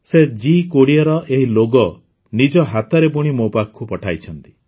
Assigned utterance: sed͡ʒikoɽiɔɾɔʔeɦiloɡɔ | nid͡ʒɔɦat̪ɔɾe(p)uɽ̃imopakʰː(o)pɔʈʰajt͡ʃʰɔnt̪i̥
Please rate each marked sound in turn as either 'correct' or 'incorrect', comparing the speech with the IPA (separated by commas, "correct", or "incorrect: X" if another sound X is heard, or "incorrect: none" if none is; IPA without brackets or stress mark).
correct, incorrect: u